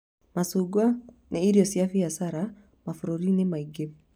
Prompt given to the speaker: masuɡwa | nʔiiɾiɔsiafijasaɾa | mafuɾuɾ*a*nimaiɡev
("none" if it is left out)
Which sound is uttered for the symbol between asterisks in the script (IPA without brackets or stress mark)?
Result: i